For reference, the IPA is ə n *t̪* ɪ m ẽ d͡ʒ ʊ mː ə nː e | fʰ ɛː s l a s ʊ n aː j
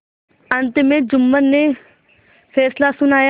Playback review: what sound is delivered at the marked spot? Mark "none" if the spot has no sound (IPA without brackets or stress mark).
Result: t̪